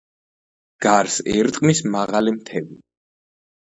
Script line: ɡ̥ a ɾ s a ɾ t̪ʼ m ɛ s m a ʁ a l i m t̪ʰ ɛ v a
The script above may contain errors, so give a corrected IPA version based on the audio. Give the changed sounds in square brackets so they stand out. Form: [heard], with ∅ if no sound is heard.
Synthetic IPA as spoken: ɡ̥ a ɾ s [ɛ] ɾ t̪ʼ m [i] s m a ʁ a l i m t̪ʰ ɛ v [i]